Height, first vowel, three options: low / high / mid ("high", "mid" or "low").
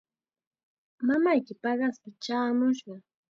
low